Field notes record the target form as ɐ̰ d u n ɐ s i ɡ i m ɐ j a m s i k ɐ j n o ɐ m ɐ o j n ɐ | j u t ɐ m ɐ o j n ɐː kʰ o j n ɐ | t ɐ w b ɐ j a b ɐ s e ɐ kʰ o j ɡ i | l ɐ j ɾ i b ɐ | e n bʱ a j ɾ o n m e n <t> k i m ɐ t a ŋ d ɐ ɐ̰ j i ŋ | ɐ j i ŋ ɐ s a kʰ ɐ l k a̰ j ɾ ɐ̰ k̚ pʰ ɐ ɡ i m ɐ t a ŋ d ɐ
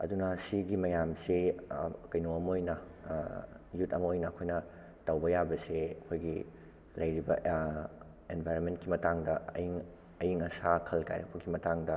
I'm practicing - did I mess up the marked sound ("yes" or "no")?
no